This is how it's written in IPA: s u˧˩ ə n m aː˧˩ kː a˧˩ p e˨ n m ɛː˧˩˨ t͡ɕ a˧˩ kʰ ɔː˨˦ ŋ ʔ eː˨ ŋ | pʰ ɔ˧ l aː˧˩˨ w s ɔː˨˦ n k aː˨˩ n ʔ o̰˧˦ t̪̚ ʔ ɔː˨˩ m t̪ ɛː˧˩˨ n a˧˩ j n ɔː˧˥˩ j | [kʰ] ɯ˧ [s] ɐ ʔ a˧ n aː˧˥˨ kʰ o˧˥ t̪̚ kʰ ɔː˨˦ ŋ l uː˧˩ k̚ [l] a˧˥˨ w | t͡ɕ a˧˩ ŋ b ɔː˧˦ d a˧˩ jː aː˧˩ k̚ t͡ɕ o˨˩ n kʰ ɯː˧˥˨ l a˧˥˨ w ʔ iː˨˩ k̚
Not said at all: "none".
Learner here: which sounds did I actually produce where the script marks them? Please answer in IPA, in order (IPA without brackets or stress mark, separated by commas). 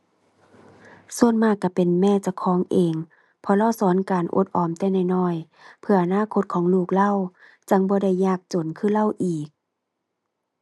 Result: pʰ, none, l